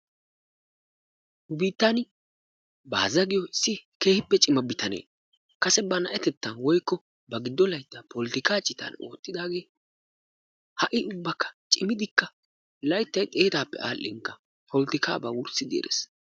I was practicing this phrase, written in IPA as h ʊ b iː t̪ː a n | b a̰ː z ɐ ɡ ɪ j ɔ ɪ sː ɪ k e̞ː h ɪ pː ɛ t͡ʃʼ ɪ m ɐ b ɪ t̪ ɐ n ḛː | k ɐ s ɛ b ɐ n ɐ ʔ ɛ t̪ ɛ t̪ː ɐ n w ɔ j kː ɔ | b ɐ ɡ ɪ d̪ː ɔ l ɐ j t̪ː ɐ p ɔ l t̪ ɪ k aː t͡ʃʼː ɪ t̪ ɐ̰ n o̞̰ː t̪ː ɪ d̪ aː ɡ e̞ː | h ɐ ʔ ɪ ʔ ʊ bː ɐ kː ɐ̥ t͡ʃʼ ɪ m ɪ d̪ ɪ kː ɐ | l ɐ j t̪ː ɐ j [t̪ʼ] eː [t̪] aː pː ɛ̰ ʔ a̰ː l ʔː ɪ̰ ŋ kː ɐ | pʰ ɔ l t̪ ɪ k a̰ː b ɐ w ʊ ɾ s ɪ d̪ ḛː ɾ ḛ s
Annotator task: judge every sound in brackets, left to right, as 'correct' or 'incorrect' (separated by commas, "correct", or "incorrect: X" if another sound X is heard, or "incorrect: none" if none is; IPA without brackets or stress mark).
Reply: correct, correct